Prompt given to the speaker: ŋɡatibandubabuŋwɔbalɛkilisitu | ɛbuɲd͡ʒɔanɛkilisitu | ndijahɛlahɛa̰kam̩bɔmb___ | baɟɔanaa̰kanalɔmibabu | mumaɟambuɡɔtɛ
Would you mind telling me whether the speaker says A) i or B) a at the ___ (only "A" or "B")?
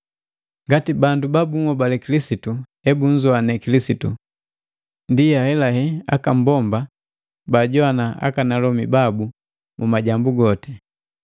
B